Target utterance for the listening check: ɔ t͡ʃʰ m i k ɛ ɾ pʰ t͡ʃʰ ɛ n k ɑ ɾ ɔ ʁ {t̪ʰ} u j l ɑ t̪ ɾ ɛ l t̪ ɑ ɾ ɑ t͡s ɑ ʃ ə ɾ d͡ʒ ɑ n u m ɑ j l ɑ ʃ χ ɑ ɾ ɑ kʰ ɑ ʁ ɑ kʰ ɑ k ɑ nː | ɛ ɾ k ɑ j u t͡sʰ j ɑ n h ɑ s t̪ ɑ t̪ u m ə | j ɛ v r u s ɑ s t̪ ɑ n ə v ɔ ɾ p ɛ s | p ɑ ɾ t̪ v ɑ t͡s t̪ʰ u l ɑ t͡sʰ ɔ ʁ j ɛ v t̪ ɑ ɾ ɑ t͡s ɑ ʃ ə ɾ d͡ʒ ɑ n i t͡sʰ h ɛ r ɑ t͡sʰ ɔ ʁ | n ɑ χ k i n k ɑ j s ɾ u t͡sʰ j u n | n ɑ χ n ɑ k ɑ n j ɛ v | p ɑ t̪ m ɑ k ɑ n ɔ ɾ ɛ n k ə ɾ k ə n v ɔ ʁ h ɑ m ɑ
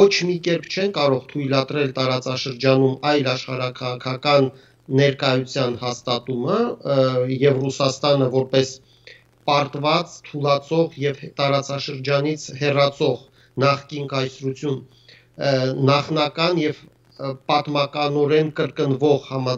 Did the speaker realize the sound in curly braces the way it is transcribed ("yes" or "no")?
yes